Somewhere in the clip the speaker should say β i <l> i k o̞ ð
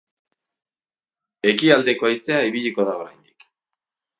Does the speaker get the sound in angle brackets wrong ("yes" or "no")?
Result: yes